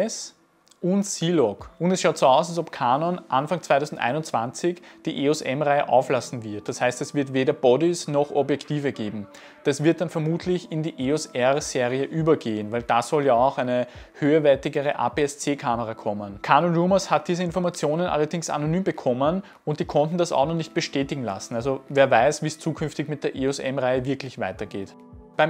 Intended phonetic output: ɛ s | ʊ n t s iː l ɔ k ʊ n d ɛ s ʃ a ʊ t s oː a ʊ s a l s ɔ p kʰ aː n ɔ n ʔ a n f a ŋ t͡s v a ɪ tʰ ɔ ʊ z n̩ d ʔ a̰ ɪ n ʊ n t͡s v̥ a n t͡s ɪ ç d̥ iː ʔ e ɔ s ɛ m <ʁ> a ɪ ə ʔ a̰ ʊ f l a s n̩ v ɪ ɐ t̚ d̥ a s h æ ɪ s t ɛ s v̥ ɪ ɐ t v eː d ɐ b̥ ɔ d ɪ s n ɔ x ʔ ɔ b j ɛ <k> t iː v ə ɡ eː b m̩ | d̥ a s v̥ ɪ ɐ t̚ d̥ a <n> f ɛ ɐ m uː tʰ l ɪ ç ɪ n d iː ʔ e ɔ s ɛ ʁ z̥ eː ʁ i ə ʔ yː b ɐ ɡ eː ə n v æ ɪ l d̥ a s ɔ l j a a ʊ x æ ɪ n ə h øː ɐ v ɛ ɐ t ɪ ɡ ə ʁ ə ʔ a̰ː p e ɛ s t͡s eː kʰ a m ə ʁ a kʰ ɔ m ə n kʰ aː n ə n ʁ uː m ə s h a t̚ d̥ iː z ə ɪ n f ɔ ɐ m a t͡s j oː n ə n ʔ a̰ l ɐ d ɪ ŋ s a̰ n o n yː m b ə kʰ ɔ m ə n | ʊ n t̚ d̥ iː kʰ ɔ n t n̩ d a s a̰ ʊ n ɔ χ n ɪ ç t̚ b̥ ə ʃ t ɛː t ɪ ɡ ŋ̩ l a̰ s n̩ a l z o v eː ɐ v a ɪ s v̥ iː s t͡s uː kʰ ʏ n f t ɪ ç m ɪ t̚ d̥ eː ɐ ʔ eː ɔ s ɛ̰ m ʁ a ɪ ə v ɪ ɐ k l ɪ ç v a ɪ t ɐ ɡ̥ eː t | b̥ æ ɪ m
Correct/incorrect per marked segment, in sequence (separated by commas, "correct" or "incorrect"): correct, correct, correct